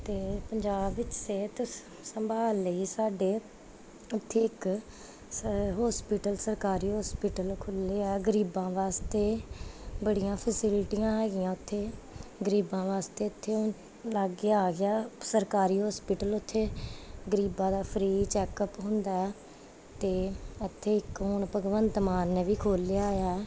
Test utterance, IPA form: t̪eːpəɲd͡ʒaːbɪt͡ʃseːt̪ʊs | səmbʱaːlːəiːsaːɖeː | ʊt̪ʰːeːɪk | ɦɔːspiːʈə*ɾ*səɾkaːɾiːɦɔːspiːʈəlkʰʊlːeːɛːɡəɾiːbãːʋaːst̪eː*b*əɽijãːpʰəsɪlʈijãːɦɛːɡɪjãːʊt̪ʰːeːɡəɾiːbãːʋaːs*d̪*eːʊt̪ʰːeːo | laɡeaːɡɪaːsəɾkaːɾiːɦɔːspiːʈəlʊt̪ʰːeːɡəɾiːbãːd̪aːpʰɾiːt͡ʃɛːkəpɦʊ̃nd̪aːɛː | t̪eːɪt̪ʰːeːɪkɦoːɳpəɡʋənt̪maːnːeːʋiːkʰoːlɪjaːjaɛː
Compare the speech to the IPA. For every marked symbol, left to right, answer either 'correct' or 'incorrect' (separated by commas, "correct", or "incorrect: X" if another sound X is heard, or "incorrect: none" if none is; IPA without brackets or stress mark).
incorrect: l, correct, incorrect: t̪